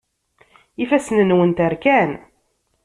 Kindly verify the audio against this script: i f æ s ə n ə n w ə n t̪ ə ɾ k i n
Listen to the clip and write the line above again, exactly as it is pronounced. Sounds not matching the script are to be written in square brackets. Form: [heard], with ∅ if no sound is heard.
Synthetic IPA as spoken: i f æ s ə n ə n w ə n t̪ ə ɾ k [æ] n